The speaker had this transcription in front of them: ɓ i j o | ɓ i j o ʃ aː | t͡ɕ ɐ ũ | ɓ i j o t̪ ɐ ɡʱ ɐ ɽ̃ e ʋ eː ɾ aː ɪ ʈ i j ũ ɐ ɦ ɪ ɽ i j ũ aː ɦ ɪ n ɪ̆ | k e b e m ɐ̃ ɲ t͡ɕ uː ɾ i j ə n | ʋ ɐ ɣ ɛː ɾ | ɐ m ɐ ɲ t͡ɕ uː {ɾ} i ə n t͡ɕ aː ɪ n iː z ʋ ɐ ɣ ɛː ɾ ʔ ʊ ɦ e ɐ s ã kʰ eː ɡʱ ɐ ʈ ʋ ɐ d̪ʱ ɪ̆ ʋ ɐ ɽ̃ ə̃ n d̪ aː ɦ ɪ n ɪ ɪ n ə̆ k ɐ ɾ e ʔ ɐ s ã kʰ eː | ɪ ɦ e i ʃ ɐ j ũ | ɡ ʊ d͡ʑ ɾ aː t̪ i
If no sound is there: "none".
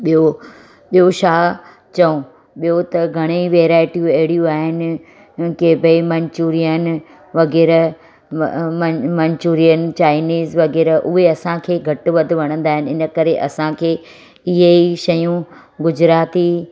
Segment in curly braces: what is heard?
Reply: ɾ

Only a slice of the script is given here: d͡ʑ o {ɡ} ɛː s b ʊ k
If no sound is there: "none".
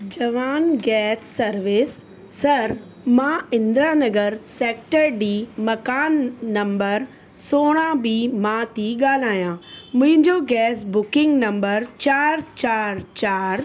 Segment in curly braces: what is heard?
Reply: ɡ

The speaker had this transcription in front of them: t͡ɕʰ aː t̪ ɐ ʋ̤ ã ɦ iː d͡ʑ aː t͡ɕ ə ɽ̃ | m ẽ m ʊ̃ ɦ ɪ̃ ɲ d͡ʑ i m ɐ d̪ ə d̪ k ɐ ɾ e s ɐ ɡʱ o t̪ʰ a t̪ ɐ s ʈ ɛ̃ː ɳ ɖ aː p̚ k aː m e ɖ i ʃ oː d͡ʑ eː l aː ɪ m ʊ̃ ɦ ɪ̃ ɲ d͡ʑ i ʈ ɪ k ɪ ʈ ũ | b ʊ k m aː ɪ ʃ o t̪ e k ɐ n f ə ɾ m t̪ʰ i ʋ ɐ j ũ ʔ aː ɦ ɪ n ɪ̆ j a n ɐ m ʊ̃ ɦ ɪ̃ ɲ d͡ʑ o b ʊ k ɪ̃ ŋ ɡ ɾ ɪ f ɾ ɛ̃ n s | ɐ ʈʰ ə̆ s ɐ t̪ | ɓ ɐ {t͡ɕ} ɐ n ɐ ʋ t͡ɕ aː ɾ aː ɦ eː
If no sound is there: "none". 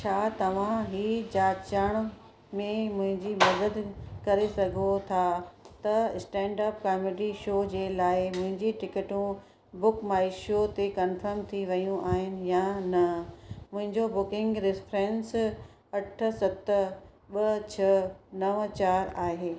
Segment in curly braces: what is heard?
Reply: t͡ɕʰ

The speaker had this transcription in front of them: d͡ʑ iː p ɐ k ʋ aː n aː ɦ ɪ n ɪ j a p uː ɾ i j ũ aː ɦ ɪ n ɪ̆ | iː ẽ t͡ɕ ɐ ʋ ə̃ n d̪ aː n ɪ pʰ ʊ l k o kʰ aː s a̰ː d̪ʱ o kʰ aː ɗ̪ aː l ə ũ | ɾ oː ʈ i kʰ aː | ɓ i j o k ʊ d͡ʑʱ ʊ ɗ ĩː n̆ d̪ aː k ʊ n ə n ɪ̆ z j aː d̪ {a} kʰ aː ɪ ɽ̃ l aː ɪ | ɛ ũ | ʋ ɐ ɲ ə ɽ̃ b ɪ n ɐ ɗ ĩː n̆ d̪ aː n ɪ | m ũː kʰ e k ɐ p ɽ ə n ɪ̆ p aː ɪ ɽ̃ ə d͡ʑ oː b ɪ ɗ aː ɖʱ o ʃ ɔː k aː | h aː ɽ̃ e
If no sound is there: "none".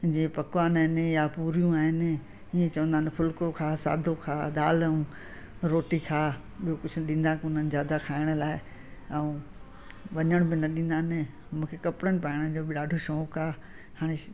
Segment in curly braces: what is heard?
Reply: a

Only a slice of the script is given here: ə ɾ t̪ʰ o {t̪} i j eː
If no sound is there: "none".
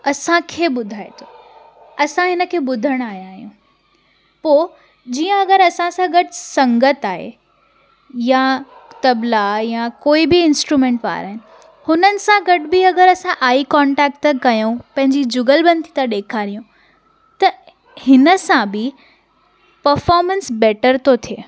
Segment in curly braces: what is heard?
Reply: t̪ʰ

